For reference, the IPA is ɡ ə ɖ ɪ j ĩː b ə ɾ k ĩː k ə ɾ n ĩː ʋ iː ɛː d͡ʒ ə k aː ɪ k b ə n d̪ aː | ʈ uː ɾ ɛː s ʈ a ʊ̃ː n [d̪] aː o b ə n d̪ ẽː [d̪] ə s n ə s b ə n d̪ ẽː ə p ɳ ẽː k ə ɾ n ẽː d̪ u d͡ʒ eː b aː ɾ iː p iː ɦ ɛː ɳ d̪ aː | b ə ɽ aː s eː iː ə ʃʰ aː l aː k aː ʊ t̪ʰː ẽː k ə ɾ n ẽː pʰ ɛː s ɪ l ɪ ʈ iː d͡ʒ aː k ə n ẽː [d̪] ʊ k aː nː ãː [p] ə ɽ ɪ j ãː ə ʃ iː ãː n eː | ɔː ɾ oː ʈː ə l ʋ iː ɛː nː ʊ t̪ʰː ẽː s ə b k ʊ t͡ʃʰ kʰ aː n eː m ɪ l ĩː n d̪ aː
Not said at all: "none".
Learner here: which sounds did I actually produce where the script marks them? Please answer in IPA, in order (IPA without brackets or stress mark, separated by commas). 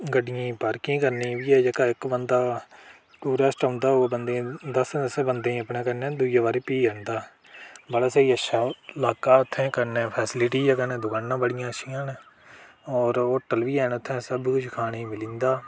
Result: d̪, d̪, d̪, b